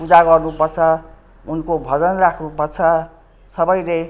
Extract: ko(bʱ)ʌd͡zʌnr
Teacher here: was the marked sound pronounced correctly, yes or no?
yes